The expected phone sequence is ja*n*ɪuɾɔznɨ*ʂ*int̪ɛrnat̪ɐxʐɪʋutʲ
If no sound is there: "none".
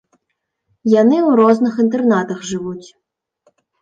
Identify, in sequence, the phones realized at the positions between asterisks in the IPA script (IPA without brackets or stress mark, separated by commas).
n, x